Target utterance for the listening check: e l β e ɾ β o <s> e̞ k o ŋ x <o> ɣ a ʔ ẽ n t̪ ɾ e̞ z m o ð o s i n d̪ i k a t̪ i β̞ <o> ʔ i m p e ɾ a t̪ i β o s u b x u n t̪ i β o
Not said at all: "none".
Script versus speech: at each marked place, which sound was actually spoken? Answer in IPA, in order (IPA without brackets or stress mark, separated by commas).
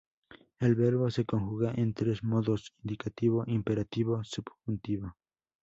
s, u, o